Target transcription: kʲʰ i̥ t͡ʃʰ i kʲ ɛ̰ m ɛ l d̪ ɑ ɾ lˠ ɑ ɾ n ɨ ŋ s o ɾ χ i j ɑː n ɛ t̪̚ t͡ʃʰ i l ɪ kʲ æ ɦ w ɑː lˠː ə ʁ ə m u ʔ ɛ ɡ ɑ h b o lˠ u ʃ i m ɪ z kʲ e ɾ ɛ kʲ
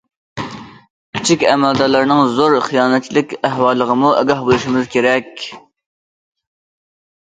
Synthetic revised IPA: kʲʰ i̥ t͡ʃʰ i kʲ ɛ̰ m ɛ l d̪ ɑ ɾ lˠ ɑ ɾ n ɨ ŋ z o ɾ χ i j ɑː n ɛ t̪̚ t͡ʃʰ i l ɪ kʲ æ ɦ w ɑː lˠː ə ʁ ə m u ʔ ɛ ɡ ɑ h b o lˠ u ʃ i m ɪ z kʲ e ɾ ɛ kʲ